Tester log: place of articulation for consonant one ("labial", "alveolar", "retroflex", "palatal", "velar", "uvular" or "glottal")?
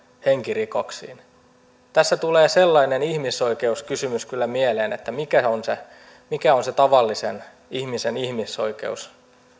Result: glottal